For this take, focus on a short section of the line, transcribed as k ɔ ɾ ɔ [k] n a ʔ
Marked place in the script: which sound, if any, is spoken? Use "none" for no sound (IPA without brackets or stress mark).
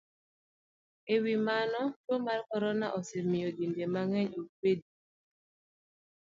none